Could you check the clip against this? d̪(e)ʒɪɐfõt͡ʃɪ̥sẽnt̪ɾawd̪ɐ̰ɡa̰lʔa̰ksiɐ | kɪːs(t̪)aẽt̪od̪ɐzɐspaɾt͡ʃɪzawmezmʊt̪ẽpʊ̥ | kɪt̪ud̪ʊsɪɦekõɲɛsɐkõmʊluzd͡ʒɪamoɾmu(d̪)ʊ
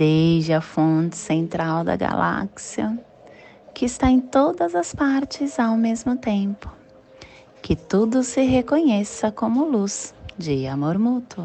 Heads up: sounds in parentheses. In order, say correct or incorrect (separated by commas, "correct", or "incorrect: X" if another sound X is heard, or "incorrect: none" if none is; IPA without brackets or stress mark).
correct, correct, incorrect: t̪